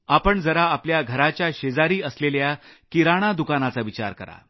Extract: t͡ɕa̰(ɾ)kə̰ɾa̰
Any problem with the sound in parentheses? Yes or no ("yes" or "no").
no